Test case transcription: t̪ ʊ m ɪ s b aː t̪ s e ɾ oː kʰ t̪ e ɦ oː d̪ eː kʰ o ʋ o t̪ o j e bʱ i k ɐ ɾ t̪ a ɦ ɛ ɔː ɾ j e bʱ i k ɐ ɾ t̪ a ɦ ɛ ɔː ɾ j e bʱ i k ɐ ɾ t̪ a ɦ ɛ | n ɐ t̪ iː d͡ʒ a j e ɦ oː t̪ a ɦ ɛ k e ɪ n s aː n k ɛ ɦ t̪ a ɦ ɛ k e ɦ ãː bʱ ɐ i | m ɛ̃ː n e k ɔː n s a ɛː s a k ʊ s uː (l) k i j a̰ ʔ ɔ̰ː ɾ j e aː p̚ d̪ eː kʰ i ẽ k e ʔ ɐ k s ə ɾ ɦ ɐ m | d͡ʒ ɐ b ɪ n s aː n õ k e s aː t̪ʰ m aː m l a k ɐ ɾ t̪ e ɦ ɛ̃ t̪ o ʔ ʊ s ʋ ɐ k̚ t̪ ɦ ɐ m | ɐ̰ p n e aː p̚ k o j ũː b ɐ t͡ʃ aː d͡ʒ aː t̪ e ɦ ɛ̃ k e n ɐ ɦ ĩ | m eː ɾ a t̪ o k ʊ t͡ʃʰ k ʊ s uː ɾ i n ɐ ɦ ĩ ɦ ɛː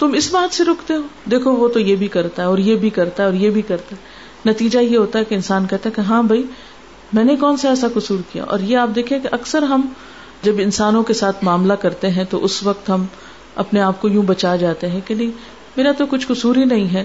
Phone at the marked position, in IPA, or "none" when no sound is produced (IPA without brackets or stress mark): ɾ